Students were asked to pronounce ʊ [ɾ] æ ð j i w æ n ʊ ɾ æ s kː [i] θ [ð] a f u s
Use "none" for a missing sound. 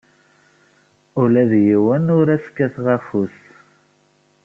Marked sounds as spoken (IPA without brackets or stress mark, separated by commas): l, æ, ʁ